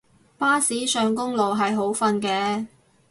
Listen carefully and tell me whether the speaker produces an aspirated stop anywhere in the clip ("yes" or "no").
no